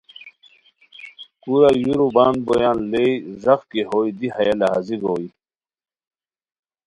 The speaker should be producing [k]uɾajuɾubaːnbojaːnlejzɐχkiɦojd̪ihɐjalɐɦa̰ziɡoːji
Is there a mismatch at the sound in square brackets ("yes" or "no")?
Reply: no